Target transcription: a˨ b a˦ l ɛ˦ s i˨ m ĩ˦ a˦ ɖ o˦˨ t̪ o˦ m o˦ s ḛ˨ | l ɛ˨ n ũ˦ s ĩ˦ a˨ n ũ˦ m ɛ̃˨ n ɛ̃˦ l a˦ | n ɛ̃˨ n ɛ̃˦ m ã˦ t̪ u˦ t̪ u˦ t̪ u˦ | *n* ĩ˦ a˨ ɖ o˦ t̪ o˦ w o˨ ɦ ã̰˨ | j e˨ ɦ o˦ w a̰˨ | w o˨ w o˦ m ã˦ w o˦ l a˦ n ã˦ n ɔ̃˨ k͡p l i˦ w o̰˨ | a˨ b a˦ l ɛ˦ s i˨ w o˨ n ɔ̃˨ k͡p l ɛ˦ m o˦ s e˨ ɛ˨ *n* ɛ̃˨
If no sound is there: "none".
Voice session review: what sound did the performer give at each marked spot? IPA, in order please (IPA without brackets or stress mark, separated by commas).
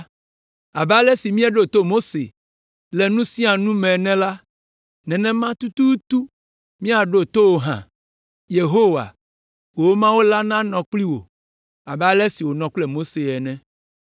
m, n